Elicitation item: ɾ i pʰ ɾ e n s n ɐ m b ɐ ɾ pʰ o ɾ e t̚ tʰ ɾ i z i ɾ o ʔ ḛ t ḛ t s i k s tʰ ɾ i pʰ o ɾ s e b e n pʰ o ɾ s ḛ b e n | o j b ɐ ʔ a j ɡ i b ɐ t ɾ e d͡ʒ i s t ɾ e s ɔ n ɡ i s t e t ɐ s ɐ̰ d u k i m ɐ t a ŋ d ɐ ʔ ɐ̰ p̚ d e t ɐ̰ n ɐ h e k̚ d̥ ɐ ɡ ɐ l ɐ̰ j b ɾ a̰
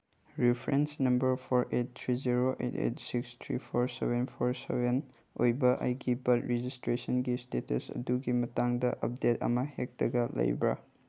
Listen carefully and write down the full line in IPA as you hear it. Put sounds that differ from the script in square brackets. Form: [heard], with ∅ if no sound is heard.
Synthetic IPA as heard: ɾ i pʰ ɾ e n s n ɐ m b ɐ ɾ pʰ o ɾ e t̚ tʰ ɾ i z i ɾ o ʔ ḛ t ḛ t s i k s tʰ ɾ i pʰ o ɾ s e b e n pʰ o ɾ s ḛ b e n | o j b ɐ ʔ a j ɡ i b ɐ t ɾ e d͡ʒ i s t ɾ e s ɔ n ɡ i s t e t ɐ s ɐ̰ d u [ɡ] i m ɐ t a ŋ d ɐ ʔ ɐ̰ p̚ d e t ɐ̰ [m] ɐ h e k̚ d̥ ɐ ɡ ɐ l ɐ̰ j b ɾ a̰